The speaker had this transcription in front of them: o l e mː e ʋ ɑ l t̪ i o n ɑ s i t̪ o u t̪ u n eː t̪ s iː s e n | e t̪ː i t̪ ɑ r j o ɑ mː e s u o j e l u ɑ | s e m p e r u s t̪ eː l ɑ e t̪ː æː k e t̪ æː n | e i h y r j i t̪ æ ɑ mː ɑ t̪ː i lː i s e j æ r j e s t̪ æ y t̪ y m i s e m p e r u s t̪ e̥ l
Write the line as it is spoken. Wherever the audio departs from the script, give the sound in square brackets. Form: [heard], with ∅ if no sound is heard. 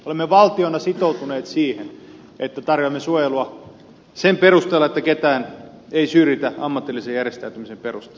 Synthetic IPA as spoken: o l e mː e ʋ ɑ l t̪ i o n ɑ s i t̪ o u t̪ u n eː t̪ s iː [h] e n | e t̪ː [æ] t̪ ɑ r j o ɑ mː e s u o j e l u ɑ | s e m p e r u s t̪ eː l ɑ e t̪ː [æ] k e t̪ æː n | e i [s] y r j i t̪ æ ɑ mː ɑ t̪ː i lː i s e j æ r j e s t̪ æ y t̪ y m i s e m p e r u s t̪ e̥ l

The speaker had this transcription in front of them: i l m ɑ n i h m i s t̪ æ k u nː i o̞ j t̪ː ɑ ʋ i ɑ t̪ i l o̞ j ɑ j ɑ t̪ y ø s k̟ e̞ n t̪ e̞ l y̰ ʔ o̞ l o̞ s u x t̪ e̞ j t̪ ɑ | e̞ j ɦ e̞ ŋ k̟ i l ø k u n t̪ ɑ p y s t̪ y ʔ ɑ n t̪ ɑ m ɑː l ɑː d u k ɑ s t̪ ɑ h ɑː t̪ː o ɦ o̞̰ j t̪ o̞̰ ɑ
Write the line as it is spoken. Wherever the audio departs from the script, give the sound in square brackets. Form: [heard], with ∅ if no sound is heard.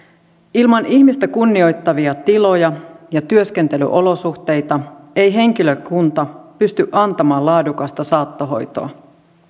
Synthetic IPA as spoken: i l m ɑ n i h m i s t̪ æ k u nː i o̞ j t̪ː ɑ ʋ i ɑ t̪ i l o̞ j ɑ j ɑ t̪ y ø s k̟ e̞ n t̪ e̞ l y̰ ʔ o̞ l o̞ s u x t̪ e̞ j t̪ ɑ | e̞ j ɦ e̞ ŋ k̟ i l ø k u n t̪ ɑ p y s t̪ y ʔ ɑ n t̪ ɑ m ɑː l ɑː d u k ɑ s t̪ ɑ [s] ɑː t̪ː o ɦ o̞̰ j t̪ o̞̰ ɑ

